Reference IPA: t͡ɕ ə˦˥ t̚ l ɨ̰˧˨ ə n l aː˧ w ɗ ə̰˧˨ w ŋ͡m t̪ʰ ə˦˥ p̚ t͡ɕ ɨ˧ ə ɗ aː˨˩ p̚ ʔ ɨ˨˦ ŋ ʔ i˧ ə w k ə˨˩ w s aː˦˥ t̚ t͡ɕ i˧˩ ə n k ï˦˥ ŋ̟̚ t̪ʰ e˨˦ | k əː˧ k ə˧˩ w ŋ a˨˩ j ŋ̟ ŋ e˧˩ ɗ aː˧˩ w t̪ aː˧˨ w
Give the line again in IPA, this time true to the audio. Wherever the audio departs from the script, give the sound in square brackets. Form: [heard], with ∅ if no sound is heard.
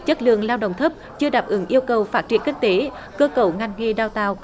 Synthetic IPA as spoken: t͡ɕ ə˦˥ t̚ l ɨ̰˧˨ ə [ŋ] l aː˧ w ɗ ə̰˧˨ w ŋ͡m t̪ʰ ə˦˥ p̚ t͡ɕ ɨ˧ ə ɗ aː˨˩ p̚ ʔ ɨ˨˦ ŋ ʔ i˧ ə w k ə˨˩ w [f] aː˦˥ t̚ t͡ɕ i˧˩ ə n k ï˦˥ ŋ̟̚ [t̪] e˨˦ | k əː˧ k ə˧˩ w ŋ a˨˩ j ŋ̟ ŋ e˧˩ ɗ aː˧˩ w t̪ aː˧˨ w